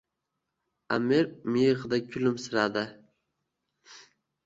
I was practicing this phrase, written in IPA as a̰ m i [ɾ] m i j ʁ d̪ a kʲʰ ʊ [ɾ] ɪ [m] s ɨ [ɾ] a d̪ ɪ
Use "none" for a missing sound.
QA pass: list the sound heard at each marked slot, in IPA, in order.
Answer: ɾ, l, m, ɾ

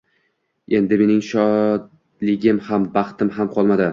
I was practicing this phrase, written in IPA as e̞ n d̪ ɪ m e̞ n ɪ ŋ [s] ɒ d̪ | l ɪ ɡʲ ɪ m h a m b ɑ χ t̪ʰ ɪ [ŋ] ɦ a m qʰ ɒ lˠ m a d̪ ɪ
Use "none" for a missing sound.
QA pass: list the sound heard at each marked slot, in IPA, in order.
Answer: ʃ, m

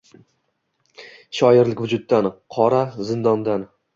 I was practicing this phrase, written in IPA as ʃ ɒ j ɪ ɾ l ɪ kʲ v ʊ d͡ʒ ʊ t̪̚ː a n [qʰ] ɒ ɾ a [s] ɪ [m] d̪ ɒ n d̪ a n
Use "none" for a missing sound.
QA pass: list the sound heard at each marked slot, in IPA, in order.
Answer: qʰ, z, n

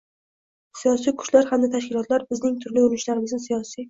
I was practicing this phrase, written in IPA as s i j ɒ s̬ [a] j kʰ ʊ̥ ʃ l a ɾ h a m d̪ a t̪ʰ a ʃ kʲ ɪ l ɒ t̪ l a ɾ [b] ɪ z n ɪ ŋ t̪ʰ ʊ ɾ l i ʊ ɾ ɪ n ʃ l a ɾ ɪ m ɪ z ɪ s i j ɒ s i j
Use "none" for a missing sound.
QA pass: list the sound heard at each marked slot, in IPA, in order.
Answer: i, b

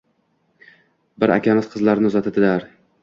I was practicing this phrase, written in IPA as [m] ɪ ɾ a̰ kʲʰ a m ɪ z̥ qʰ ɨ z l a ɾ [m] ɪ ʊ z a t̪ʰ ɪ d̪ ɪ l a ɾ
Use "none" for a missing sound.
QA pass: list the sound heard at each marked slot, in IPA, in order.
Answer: b, n

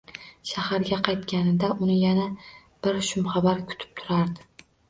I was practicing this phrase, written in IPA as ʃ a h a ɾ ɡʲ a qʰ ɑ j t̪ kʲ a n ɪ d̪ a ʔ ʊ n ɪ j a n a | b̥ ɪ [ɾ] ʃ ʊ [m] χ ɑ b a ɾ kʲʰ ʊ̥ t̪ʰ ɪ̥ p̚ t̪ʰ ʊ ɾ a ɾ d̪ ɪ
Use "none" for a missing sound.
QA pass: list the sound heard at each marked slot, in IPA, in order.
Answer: ɾ, m

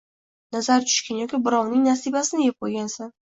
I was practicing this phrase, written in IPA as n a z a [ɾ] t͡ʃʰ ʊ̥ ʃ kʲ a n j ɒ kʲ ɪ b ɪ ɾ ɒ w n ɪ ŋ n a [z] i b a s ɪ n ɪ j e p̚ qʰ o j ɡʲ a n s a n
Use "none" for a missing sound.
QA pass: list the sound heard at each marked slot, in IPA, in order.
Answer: ɾ, s

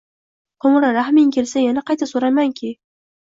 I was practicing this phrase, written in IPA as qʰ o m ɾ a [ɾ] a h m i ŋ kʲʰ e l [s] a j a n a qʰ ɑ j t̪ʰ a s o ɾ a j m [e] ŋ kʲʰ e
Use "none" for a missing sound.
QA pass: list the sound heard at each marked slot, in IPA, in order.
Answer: ɾ, s, a

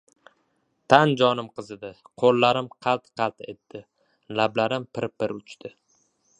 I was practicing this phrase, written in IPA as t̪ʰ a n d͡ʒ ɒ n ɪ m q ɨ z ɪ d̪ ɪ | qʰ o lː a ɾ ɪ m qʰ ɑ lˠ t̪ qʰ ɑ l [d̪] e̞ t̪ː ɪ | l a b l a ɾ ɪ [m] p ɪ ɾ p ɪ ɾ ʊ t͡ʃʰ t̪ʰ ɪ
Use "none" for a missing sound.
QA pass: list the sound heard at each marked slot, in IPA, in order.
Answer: t̪, m

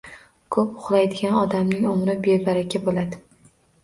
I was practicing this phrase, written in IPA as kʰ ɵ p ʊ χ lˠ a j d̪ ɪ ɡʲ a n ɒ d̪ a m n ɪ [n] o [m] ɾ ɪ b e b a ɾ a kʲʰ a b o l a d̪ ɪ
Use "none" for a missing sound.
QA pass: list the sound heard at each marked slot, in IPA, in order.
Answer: ŋ, m

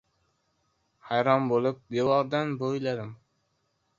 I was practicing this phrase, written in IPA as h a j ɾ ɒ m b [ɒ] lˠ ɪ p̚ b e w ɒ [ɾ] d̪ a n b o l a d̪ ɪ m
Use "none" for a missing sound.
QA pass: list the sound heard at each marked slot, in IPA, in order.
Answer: o, ɾ

